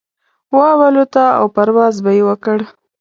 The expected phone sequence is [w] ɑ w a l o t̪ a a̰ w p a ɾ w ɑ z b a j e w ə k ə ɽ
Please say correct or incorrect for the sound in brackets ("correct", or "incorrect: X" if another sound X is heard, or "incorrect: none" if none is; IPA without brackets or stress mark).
correct